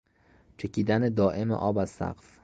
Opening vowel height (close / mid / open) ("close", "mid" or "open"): mid